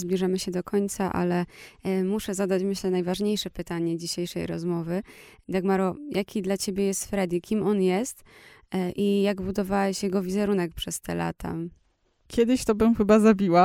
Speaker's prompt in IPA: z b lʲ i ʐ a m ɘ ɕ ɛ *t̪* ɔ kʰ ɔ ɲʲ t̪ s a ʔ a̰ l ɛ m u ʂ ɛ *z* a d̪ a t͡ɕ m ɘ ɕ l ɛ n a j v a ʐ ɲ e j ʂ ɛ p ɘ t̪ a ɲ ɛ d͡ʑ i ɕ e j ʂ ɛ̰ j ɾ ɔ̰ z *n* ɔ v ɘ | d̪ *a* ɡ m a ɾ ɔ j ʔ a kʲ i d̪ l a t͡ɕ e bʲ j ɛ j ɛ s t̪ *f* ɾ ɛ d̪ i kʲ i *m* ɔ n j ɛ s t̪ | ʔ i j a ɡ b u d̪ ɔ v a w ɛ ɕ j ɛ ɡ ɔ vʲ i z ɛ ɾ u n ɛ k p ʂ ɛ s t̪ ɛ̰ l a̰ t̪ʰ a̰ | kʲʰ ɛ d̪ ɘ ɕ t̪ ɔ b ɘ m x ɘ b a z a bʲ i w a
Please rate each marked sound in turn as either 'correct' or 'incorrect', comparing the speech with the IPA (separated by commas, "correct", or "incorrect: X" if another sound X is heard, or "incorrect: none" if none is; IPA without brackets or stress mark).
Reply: incorrect: d̪, correct, incorrect: m, correct, correct, correct